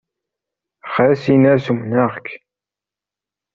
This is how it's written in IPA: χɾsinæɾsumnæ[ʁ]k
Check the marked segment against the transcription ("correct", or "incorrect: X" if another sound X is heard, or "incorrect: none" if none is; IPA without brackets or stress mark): correct